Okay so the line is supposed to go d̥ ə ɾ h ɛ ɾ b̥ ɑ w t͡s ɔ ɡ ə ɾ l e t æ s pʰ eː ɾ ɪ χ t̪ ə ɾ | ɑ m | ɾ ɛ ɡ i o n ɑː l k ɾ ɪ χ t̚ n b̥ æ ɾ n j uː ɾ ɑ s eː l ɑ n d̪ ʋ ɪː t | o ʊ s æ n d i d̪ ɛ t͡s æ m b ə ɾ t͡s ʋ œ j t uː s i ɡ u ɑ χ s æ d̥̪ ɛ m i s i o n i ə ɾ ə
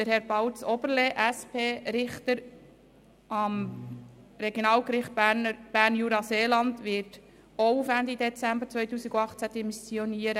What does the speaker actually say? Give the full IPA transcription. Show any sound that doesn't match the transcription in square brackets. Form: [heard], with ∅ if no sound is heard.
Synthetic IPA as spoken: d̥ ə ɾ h ɛ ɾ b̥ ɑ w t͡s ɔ [b] ə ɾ l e [ʔ] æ s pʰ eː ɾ ɪ χ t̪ ə ɾ | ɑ m | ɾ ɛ ɡ [j] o n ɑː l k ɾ ɪ χ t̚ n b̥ æ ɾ n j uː ɾ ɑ s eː l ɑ n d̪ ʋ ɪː t | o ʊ [f] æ n d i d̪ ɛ t͡s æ m b ə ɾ t͡s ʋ œ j t uː s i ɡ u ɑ χ [t͡s] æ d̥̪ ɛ m i s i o n i ə ɾ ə